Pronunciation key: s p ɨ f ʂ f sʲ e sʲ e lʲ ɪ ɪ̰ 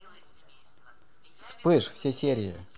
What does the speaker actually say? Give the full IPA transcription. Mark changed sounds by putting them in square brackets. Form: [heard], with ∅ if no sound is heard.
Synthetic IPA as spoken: s p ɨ [∅] ʂ f sʲ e sʲ e [ɾʲ] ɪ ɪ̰